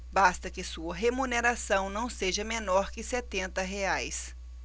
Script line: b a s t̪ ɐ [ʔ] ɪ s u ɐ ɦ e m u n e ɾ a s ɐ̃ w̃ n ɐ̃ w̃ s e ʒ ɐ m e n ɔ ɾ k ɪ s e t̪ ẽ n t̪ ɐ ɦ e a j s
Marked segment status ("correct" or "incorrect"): incorrect